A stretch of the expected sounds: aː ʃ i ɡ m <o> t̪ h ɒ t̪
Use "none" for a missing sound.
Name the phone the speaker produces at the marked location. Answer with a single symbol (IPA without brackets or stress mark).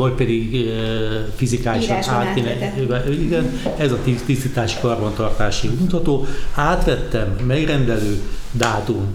u